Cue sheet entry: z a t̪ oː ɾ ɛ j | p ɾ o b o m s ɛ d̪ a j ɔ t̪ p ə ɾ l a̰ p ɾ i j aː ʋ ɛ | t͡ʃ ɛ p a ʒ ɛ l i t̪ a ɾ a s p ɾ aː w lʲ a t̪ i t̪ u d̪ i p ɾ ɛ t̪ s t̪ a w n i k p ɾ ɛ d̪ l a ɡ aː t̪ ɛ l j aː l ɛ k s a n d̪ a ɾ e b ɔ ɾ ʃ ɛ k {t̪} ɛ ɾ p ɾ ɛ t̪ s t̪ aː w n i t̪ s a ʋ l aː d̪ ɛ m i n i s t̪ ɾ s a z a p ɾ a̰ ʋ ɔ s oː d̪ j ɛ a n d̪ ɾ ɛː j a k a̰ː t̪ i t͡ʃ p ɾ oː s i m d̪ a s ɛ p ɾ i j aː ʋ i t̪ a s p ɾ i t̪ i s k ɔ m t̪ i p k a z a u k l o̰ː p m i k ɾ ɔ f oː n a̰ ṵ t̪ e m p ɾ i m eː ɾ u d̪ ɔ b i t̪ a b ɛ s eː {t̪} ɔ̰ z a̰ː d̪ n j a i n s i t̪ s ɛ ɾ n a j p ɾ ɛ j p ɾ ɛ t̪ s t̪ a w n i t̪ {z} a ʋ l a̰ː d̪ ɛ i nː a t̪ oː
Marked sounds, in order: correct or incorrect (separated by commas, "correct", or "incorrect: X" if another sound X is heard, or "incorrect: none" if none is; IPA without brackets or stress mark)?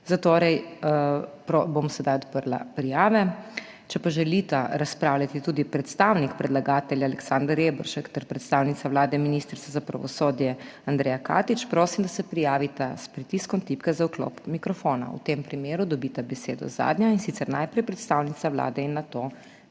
correct, incorrect: d̪, incorrect: s